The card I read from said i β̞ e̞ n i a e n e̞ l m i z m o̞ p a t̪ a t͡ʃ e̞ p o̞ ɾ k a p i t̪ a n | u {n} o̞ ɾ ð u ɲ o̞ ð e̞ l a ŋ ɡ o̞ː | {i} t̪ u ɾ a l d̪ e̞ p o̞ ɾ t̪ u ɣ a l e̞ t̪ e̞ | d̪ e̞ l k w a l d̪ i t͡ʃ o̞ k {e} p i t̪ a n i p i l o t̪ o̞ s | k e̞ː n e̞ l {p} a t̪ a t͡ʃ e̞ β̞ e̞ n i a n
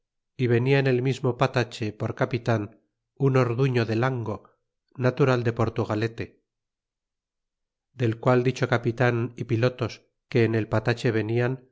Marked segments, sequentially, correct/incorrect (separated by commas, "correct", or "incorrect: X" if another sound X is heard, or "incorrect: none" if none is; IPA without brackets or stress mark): correct, incorrect: a, incorrect: a, correct